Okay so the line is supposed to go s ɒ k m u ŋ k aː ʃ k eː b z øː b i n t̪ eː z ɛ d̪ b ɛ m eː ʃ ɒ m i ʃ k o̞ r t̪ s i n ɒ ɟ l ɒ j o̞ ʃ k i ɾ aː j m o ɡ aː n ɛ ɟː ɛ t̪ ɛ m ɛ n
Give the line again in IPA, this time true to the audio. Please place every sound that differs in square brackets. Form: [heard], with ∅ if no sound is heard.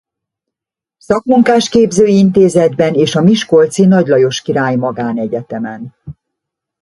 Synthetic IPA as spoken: s ɒ k m u ŋ k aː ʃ k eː b z øː [∅] i n t̪ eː z ɛ d̪ b ɛ [n] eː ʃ ɒ m i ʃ k o̞ [l] t̪ s i n ɒ ɟ l ɒ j o̞ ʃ k i ɾ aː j m [ɒ] ɡ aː n ɛ [ɟ] ɛ t̪ ɛ m ɛ n